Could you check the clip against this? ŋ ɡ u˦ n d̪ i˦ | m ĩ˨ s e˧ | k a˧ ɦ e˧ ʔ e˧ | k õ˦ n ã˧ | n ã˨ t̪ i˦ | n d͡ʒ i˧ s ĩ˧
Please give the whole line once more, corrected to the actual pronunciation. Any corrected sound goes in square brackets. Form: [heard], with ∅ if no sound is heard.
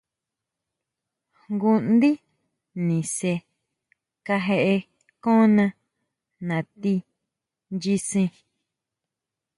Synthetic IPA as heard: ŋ ɡ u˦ n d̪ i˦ | [n] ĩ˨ s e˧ | k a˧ ɦ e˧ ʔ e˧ | k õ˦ n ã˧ | n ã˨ t̪ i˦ | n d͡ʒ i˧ s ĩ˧